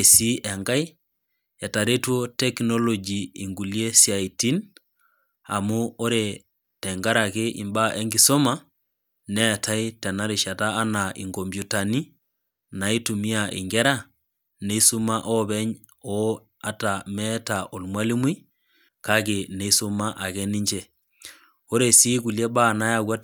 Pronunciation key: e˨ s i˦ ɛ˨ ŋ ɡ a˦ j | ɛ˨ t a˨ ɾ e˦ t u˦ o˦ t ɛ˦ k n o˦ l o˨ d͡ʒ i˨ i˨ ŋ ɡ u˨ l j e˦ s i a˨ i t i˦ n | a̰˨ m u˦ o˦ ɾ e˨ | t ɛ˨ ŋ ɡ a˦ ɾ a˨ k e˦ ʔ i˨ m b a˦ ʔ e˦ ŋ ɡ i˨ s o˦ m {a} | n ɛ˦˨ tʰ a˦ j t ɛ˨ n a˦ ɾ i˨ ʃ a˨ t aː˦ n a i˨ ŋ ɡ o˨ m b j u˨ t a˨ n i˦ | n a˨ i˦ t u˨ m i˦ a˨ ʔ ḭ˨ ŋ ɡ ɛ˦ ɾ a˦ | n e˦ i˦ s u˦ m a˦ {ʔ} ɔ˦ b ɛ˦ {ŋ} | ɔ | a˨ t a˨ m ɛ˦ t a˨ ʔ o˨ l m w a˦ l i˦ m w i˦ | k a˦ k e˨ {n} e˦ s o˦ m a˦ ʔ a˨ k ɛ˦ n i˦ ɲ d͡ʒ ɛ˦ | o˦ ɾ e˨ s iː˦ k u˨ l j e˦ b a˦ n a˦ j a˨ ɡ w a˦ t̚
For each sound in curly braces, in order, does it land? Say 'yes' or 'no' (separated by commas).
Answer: yes, yes, no, yes